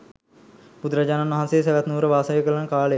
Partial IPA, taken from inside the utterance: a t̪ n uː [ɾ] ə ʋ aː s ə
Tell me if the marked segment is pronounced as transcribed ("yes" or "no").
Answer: yes